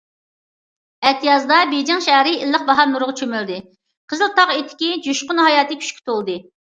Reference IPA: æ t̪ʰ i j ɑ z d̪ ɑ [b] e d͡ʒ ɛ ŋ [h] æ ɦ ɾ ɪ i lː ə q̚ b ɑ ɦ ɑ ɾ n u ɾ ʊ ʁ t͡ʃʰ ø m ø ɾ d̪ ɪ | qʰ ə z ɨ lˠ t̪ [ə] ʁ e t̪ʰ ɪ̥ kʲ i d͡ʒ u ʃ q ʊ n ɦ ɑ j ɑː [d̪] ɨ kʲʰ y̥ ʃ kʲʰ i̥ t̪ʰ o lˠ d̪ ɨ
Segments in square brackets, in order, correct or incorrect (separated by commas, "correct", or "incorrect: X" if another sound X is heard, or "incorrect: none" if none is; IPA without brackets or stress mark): correct, incorrect: ʃ, incorrect: ɑ, incorrect: t̪